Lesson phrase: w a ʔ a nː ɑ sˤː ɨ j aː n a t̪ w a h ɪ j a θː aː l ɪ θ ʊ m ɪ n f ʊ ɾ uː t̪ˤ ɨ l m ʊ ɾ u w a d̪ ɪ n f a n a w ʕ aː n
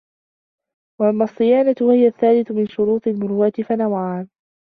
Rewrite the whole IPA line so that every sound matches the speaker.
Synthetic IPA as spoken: w a ʔ a mː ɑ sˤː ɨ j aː n a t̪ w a h ɪ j a θː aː l ɪ θ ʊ m ɪ n ʃ ʊ ɾ uː t̪ˤ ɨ l m ʊ ɾ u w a t̪ ɪ f a n a w ʕ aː n